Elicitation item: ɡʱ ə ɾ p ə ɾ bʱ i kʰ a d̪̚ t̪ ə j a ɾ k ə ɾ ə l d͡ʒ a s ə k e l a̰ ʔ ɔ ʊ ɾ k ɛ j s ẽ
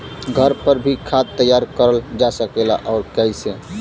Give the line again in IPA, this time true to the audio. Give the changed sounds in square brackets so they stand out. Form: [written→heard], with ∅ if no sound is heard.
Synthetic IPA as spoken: ɡʱ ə ɾ p ə ɾ bʱ i kʰ a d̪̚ t̪ ə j a ɾ k ə ɾ ə l d͡ʒ a s ə k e l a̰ ʔ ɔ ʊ ɾ k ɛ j s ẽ